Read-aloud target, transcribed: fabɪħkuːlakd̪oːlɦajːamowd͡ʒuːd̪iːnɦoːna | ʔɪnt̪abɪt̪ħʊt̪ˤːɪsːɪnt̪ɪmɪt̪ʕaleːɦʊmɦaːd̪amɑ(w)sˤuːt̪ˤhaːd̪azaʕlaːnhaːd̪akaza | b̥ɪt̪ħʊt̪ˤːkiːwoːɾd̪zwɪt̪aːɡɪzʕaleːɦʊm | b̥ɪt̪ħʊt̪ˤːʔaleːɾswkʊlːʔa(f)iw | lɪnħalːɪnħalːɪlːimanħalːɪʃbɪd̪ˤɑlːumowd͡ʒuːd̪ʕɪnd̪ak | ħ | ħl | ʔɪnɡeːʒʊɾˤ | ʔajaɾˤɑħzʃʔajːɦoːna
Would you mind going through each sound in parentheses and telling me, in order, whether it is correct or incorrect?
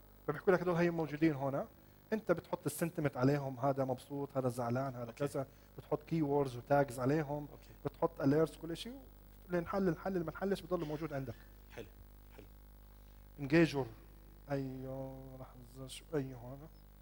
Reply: incorrect: b, incorrect: ʃ

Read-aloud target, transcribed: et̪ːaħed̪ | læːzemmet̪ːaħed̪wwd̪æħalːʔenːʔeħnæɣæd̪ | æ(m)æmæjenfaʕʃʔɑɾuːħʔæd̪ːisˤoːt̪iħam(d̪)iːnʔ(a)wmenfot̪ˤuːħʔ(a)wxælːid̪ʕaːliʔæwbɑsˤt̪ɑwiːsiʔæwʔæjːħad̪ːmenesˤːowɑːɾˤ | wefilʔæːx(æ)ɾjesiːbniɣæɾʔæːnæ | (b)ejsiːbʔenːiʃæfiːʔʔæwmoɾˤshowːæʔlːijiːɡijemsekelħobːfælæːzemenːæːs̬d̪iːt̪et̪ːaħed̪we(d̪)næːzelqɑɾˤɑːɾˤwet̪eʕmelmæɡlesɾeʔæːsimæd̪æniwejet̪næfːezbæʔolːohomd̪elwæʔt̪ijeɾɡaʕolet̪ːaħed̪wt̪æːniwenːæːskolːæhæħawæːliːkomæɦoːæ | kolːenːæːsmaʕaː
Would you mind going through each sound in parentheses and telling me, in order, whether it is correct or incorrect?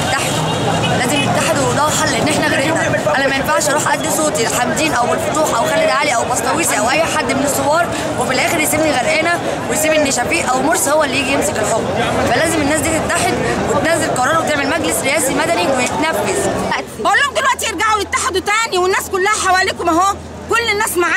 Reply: incorrect: n, correct, incorrect: æ, incorrect: æ, incorrect: e, incorrect: w, incorrect: t̪

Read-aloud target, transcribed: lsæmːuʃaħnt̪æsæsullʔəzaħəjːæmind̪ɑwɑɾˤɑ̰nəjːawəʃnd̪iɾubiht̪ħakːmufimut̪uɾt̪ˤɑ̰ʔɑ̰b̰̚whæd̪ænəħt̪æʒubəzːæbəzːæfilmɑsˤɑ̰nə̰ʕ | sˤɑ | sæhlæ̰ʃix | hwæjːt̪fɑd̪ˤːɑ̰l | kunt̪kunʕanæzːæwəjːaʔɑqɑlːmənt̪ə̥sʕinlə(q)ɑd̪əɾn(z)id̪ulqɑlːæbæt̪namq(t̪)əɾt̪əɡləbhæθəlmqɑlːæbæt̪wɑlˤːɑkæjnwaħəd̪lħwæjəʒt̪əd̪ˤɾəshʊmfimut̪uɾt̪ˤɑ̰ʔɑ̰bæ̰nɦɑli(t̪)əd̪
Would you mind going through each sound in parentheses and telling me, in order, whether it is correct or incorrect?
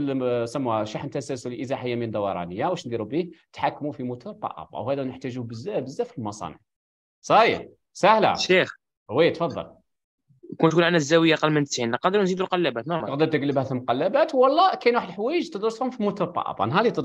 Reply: correct, correct, incorrect: d̪, correct

